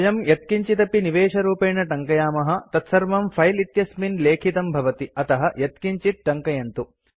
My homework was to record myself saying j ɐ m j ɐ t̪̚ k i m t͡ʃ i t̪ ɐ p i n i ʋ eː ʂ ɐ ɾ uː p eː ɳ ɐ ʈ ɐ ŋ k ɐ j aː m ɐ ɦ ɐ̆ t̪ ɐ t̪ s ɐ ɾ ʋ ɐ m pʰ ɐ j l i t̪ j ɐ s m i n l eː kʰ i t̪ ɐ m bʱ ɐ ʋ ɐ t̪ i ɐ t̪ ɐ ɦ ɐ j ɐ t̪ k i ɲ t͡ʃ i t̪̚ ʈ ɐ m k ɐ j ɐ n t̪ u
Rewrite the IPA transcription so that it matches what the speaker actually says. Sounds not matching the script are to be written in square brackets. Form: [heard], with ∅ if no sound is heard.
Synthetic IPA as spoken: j ɐ m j ɐ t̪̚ k i [ɲ] t͡ʃ i t̪ ɐ p i n i ʋ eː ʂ ɐ ɾ uː p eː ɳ ɐ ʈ ɐ ŋ k ɐ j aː m ɐ ɦ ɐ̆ t̪ ɐ t̪ s ɐ ɾ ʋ ɐ m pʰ ɐ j l i t̪ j ɐ s m i n l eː kʰ i t̪ ɐ m bʱ ɐ ʋ ɐ t̪ i ɐ t̪ ɐ ɦ ɐ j ɐ t̪ k i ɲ t͡ʃ i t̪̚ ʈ ɐ [ŋ] k ɐ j ɐ n t̪ u